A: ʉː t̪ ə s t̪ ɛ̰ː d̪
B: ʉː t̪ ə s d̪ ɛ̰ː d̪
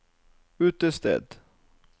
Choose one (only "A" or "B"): A